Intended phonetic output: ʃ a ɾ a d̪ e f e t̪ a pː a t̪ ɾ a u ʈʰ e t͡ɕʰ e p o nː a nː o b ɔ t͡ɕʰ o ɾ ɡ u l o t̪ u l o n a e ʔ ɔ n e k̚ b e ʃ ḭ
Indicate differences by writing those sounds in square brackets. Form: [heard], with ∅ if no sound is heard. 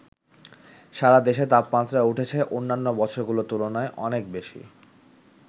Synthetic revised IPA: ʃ a ɾ a d̪ e [ʃ] e t̪ a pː a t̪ ɾ a u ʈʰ e t͡ɕʰ e [ʔ] o nː a nː o b ɔ t͡ɕʰ o ɾ ɡ u l o t̪ u l o n a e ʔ ɔ n e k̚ b e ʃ ḭ

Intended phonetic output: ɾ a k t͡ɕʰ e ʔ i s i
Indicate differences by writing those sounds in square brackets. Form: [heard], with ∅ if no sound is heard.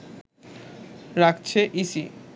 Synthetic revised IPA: ɾ a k t͡ɕʰ e ʔ i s i

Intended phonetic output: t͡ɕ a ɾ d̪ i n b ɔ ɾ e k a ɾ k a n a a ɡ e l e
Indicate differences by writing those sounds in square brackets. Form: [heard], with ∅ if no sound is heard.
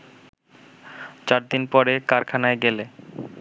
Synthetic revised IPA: t͡ɕ a ɾ d̪ i n [p] ɔ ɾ e k a ɾ [kʰ] a n a [e] ɡ e l e

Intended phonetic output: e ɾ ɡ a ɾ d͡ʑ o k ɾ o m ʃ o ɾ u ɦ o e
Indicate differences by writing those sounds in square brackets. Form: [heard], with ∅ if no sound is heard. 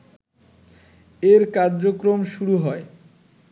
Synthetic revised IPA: e ɾ [k] a ɾ d͡ʑ o k ɾ o m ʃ [u] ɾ u ɦ [ɔ] e

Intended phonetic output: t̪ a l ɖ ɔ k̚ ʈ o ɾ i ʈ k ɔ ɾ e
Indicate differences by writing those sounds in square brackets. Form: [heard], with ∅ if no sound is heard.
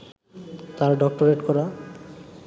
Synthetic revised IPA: t̪ a [ɾ] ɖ ɔ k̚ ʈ o ɾ [e] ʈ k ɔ ɾ [a]

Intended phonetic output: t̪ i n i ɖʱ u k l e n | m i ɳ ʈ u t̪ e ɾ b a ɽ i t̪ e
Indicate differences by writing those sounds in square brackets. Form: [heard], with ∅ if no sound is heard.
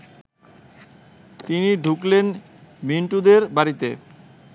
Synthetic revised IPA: t̪ i n i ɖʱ u k l e n | m i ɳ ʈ u [d̪] e ɾ b a [ɾ] i t̪ e

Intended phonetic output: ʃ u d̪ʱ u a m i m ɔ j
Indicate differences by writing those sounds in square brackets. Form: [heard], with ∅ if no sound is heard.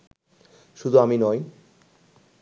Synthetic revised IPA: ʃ u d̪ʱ u a m i [n] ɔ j

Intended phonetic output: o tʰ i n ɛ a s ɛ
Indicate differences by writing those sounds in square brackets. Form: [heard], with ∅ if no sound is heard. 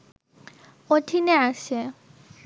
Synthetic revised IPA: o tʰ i n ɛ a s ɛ

